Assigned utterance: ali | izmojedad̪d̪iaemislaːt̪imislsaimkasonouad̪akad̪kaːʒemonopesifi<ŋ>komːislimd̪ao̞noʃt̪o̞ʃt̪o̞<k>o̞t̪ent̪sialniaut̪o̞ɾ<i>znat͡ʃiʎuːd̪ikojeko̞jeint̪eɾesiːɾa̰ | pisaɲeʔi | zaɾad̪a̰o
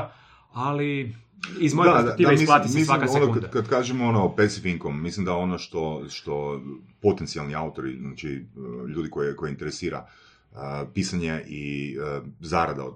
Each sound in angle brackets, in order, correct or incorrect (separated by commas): correct, incorrect, correct